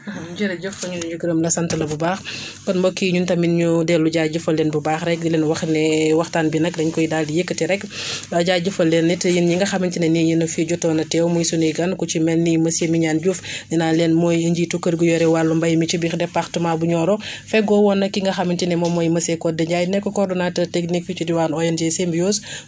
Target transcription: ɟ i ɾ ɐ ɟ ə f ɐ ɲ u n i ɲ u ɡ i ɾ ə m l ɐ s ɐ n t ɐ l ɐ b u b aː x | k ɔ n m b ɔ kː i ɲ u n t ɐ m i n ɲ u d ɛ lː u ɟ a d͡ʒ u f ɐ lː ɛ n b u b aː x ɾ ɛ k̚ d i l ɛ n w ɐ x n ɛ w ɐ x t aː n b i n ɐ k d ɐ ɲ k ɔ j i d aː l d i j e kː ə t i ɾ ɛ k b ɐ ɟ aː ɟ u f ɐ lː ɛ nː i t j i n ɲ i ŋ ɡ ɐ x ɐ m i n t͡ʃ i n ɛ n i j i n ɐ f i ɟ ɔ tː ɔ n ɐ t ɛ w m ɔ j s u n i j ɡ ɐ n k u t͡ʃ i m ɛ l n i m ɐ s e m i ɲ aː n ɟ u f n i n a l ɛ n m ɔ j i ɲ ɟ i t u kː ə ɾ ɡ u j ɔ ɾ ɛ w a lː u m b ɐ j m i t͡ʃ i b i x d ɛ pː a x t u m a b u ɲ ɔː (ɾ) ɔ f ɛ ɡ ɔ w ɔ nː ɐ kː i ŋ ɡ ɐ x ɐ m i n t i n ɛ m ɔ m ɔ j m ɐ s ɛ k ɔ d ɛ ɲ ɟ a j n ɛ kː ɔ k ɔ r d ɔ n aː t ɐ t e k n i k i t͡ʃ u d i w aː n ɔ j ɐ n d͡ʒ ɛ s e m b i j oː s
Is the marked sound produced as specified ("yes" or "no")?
yes